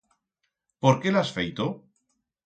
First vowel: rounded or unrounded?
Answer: rounded